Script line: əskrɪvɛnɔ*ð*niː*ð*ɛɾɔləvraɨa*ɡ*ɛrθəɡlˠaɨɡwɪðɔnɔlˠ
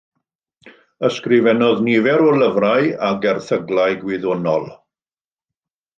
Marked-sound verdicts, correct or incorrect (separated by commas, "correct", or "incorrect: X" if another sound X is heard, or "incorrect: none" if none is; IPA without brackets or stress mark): correct, incorrect: v, correct